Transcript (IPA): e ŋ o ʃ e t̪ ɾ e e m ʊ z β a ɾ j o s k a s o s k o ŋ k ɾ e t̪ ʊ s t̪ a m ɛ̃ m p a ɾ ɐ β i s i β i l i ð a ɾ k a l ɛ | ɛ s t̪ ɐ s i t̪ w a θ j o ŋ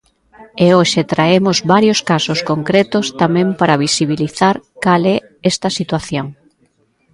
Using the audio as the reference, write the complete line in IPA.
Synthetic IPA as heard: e o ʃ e t̪ ɾ a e m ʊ z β a ɾ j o s k a s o s k o ŋ k ɾ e t̪ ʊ s t̪ a m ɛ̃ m p a ɾ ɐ β i s i β i l i θ a ɾ k a l ɛ | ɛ s t̪ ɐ s i t̪ w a θ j o ŋ